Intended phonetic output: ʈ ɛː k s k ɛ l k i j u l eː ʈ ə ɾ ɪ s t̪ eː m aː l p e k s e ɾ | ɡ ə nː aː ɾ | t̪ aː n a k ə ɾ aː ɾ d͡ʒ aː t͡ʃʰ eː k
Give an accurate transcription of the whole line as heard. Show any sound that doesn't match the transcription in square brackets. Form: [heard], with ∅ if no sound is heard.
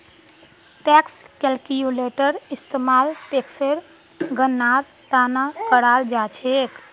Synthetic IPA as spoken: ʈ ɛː k s k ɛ l k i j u l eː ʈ ə ɾ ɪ s t̪ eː m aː l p e k s e ɾ | ɡ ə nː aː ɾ | t̪ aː n a k ə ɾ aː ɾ d͡ʒ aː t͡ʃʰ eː k